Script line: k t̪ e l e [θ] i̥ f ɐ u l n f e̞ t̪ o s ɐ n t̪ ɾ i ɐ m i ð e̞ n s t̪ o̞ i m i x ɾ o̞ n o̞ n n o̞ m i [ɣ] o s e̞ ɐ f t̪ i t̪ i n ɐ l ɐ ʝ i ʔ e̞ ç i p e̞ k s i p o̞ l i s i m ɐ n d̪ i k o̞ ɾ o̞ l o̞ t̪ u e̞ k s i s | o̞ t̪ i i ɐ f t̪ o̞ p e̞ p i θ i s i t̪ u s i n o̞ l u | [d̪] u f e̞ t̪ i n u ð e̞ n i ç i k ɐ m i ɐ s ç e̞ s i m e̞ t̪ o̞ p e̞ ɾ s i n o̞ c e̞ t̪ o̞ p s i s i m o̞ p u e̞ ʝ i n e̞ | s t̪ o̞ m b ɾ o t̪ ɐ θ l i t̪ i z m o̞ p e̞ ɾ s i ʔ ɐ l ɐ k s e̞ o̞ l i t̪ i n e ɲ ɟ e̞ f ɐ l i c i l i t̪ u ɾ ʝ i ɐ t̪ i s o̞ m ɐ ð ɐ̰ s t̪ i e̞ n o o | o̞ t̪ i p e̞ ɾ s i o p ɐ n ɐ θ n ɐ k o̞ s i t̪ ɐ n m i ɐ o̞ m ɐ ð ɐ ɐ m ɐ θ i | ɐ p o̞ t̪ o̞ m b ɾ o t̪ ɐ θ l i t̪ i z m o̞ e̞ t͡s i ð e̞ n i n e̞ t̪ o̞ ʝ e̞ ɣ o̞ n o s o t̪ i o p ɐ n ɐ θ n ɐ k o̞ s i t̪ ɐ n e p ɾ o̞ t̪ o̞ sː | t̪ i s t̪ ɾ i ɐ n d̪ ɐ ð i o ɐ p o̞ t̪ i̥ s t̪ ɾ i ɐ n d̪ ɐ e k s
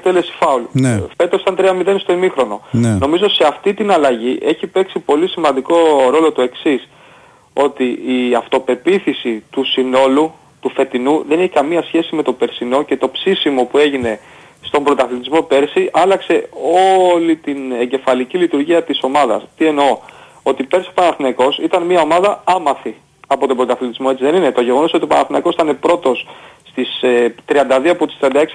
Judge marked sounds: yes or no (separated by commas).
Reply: no, no, no